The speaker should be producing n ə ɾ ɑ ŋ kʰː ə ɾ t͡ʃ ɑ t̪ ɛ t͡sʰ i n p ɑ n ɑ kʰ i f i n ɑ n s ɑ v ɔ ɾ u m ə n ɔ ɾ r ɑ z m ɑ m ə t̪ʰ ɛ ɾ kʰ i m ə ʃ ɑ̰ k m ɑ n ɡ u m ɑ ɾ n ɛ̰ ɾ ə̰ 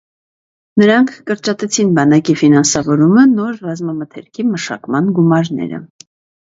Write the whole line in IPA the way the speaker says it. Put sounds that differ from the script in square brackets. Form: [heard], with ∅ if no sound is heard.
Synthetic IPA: n ə ɾ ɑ ŋ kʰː ə ɾ t͡ʃ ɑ t̪ ɛ t͡sʰ i n [b] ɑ n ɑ [k] i f i n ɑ n s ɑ v ɔ ɾ u m ə n ɔ ɾ r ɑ z m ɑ m ə t̪ʰ ɛ ɾ kʰ i m ə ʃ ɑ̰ k m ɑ n ɡ u m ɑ ɾ n ɛ̰ ɾ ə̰